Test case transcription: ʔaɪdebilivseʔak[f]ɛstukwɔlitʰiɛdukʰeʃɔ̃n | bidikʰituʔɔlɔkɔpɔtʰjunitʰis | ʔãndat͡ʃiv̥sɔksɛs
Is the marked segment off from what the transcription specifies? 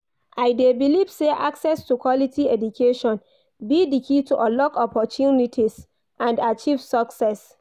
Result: yes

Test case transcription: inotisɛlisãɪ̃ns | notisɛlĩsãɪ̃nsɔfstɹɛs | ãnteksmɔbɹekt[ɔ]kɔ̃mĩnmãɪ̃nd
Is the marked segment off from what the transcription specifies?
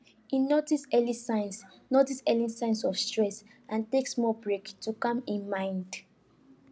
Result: yes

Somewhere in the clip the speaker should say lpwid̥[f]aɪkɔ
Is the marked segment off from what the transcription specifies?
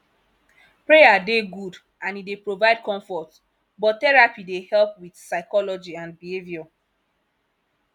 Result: yes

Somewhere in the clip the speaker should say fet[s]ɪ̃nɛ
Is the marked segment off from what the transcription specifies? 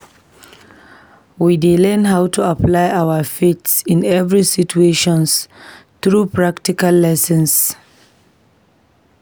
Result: no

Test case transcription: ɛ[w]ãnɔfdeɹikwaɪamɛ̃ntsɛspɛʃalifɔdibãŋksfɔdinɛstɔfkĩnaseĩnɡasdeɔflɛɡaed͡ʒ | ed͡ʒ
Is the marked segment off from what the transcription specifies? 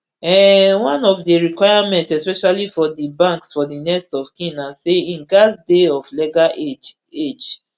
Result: no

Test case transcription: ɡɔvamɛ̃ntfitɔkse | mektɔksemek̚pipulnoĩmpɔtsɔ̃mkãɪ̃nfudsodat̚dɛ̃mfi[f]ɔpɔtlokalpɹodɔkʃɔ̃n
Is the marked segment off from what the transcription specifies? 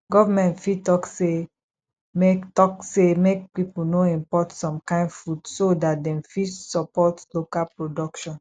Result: yes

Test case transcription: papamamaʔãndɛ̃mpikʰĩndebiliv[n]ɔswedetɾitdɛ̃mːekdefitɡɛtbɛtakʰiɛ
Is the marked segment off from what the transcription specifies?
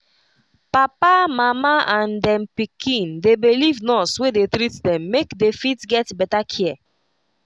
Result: no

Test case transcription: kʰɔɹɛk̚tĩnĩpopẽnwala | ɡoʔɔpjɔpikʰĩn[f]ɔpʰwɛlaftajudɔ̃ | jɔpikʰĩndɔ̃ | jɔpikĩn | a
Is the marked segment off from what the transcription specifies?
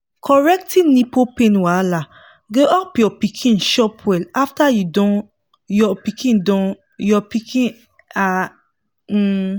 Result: yes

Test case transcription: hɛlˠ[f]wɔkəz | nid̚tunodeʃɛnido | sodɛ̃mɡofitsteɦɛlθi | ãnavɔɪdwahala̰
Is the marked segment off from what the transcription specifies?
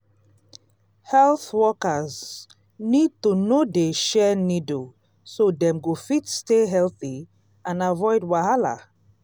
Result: yes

